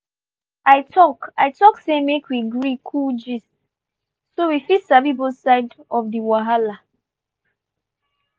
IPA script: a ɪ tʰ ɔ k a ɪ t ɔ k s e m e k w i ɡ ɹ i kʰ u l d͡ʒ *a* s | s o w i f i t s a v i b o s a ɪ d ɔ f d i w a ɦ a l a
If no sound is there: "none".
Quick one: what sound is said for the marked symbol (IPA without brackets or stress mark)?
i